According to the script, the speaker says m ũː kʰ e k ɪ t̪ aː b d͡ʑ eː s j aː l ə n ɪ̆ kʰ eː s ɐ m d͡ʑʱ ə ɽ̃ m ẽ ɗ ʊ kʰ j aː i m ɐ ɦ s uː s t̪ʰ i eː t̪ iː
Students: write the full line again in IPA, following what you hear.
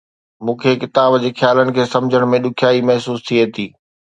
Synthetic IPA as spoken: m ũː kʰ e k ɪ t̪ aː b d͡ʑ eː x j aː l ə n ɪ̆ kʰ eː s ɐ m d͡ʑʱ ə ɽ̃ m ẽ ɗ ʊ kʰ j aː i m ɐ ɦ s uː s t̪ʰ i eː t̪ iː